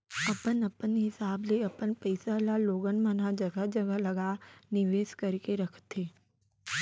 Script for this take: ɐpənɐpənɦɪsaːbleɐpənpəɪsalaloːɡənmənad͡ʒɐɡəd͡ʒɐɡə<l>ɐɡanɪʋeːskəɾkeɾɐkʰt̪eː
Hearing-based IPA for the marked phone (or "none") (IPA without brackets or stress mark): l